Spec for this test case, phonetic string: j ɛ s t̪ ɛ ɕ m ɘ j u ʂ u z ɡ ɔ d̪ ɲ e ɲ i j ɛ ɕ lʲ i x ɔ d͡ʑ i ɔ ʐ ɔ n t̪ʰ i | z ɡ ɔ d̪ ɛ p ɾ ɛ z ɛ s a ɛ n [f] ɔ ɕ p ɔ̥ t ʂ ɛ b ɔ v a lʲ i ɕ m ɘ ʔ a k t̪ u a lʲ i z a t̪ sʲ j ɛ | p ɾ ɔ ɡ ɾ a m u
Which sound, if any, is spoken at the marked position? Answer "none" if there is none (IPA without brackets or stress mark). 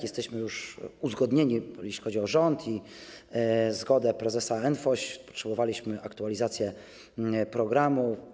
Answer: f